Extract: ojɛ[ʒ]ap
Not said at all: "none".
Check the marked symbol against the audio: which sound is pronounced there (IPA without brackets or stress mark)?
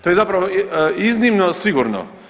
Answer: z